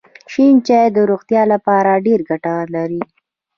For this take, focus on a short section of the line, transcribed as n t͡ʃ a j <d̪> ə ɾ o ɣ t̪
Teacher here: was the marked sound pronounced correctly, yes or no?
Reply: yes